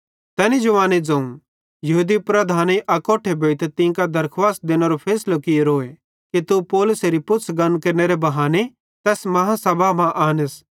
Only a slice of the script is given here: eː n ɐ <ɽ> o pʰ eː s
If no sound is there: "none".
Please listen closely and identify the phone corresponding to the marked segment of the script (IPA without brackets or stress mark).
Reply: ɾ